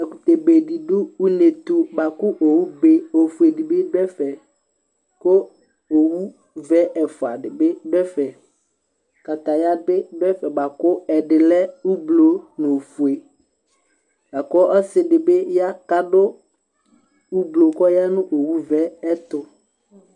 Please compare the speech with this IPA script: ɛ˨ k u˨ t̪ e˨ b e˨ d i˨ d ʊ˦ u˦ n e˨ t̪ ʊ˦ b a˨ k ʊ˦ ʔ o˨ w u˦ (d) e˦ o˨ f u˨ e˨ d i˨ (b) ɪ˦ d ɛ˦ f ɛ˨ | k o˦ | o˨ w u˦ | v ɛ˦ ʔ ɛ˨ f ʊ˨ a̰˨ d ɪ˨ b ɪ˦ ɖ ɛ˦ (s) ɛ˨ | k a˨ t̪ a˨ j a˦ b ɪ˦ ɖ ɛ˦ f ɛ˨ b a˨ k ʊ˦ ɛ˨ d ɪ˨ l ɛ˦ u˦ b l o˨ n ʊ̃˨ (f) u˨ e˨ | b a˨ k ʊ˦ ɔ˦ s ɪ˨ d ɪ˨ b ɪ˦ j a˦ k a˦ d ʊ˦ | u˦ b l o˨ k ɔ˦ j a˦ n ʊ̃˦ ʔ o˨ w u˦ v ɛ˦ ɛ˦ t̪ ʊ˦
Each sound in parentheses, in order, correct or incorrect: incorrect: b, correct, incorrect: f, correct

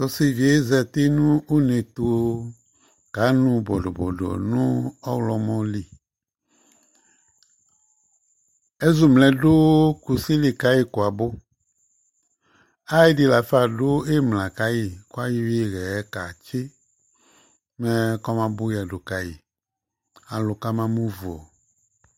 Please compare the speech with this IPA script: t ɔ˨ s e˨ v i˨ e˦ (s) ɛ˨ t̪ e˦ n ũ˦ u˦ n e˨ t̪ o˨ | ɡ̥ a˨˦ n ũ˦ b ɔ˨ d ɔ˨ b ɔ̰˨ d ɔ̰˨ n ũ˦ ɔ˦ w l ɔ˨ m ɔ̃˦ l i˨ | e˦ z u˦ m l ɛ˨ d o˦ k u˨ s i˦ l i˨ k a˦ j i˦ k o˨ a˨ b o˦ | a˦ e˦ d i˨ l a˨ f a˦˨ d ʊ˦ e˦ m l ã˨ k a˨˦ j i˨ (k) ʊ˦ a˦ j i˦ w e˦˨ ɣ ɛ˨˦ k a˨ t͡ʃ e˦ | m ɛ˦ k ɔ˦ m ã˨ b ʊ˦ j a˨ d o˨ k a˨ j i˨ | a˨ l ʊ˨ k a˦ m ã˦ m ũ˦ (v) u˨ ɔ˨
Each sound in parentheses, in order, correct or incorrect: incorrect: z, correct, correct

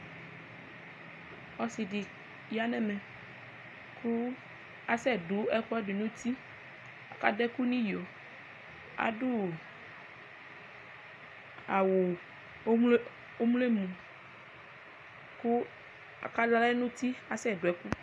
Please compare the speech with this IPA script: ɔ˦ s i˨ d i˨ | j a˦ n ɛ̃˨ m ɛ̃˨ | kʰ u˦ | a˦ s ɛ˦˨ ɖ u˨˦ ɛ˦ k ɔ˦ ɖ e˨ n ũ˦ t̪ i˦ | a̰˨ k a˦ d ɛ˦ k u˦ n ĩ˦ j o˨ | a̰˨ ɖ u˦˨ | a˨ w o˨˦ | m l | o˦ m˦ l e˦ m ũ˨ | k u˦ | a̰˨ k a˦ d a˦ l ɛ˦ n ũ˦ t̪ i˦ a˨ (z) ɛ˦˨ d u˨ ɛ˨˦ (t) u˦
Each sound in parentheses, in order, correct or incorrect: incorrect: s, incorrect: k

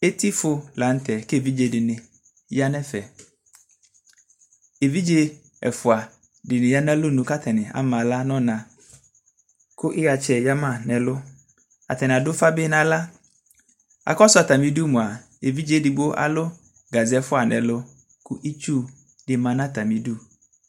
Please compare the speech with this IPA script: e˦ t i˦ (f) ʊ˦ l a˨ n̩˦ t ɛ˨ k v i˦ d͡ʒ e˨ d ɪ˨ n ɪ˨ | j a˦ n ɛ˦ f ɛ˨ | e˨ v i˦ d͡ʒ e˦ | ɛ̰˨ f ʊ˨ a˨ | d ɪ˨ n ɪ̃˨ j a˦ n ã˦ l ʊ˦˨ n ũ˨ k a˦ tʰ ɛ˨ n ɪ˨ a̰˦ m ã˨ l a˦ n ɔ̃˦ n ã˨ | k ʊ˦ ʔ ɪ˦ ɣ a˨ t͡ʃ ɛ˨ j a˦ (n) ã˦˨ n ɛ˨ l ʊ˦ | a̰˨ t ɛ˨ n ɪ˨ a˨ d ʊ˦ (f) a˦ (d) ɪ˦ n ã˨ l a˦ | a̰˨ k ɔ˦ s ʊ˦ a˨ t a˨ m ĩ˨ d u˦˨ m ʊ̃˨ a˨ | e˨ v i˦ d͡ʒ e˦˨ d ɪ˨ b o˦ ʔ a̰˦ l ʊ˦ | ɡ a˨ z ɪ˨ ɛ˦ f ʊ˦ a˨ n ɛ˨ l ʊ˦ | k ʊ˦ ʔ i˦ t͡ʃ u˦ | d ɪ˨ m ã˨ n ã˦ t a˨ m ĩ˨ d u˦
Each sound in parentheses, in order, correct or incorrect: correct, incorrect: m, correct, incorrect: b

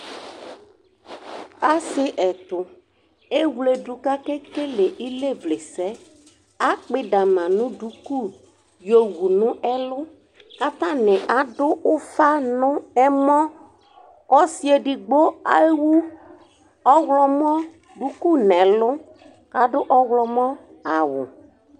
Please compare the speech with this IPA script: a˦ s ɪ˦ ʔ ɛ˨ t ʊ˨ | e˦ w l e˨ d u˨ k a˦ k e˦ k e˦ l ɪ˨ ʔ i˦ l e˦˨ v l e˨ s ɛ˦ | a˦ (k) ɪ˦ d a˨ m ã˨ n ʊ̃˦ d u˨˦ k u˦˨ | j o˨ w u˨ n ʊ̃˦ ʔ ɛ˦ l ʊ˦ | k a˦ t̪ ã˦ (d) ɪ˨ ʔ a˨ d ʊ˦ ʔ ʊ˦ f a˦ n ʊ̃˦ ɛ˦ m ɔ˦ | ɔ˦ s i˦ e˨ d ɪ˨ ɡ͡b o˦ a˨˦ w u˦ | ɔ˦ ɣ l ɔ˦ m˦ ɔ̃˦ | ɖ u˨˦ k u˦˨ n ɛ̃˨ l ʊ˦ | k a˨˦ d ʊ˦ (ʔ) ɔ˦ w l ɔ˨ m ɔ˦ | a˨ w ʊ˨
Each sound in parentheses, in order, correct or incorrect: incorrect: k͡p, incorrect: n, correct

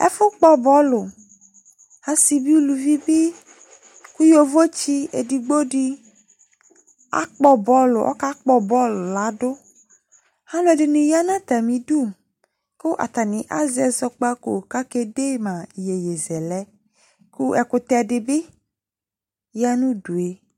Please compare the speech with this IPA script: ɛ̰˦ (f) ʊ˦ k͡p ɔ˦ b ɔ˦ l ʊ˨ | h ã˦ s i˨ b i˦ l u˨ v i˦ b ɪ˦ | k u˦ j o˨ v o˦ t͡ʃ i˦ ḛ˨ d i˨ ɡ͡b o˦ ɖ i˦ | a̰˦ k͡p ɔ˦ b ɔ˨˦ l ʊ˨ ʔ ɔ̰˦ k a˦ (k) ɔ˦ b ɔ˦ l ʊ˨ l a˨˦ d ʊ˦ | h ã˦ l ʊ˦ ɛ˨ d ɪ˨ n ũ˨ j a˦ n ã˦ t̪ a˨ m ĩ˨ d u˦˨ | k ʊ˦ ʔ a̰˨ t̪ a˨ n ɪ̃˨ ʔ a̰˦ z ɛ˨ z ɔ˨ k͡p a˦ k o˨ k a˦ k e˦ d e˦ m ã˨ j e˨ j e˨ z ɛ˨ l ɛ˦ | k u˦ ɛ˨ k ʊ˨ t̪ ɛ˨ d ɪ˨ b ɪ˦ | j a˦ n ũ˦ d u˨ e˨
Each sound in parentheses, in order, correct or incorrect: correct, incorrect: k͡p

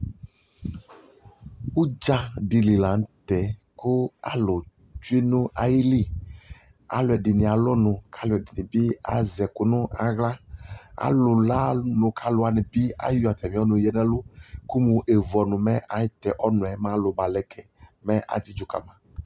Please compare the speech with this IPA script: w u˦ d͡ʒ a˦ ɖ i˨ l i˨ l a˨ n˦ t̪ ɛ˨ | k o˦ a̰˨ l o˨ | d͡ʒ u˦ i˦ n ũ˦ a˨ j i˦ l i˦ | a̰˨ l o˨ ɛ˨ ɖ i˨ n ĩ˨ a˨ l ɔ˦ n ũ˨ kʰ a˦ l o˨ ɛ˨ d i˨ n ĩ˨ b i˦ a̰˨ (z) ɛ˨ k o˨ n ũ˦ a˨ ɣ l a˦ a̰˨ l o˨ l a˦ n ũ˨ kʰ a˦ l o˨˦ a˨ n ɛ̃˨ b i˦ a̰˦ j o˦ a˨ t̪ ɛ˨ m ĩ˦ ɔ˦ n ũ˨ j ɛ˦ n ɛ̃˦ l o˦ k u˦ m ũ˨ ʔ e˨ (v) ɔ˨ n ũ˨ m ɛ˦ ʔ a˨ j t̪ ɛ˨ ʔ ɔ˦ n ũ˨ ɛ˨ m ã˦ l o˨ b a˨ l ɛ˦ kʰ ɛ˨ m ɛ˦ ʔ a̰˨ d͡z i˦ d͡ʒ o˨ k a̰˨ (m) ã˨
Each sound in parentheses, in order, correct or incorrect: correct, correct, correct

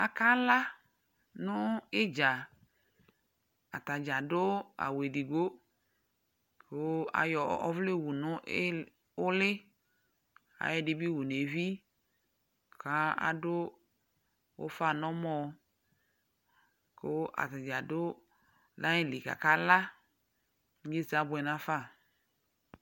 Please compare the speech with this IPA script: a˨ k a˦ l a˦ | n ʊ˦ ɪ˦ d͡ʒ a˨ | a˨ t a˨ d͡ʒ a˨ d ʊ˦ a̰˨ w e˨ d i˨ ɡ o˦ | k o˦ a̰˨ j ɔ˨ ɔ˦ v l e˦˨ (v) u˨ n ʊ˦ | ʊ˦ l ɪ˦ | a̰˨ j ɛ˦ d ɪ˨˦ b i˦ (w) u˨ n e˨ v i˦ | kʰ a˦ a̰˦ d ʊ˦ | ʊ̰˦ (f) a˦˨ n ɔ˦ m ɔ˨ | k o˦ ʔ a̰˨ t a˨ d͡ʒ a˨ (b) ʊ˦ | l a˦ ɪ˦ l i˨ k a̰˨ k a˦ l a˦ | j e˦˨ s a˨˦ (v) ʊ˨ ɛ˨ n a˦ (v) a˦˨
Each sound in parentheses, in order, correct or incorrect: incorrect: w, correct, correct, incorrect: d, incorrect: b, incorrect: f

